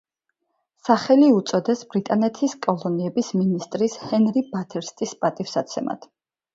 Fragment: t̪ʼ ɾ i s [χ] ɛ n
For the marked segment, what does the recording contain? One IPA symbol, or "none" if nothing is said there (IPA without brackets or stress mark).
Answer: h